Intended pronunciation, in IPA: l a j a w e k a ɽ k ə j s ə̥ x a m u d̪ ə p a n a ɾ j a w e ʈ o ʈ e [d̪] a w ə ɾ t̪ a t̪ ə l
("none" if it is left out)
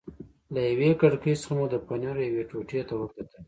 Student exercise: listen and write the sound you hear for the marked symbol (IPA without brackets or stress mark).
t̪